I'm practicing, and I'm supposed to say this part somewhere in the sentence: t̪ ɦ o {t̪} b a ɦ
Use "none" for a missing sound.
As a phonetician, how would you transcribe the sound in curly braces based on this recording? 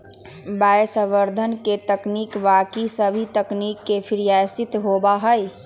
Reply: none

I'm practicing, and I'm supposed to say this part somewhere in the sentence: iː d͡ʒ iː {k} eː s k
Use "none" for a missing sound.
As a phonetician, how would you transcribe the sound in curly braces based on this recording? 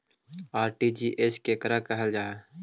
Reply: ʔ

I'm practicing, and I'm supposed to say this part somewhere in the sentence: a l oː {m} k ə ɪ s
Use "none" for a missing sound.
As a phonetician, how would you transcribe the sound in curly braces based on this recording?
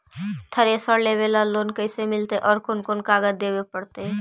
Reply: n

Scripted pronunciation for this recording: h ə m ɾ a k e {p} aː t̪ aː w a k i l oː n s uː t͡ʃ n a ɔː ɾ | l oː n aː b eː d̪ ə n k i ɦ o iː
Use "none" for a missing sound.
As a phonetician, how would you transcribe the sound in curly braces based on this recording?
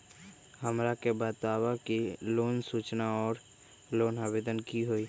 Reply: b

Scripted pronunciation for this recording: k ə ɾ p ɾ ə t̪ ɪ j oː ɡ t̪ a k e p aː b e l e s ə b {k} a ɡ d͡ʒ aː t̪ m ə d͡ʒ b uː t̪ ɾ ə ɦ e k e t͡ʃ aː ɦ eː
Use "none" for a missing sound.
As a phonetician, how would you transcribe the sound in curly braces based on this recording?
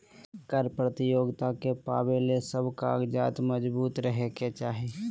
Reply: k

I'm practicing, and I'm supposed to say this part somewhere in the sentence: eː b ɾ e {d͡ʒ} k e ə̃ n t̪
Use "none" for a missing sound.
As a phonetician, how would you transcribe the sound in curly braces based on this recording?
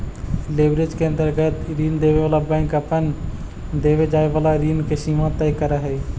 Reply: d͡ʒ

